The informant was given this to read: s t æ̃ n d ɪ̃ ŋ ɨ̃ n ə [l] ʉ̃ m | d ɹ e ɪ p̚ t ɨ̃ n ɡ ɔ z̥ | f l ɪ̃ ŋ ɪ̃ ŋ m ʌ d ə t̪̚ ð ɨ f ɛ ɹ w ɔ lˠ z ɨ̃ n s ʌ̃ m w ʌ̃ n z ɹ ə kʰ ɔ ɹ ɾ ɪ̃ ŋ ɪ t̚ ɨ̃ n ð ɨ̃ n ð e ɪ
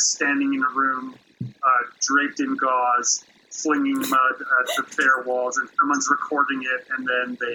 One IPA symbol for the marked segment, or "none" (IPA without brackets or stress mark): ɹ